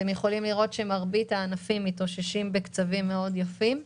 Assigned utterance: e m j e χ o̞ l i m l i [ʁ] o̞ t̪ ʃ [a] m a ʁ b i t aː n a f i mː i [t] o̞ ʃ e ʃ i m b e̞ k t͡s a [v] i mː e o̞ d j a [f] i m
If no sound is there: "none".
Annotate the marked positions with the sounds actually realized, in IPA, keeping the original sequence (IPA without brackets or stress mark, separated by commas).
ʁ, e, t, v, f